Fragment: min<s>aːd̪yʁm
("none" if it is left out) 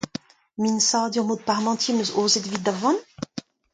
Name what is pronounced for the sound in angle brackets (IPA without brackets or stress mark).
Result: s